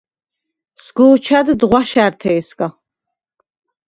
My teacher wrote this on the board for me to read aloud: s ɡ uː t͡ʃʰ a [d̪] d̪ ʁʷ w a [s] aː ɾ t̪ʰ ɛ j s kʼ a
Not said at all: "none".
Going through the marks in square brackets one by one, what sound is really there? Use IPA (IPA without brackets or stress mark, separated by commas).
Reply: d̪, ʃ